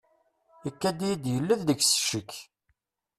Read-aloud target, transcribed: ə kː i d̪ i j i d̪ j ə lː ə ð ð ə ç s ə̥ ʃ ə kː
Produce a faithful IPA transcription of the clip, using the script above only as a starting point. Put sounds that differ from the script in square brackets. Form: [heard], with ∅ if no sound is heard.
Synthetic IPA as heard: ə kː [æ] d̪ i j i d̪ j ə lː ə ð ð ə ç s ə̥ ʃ ə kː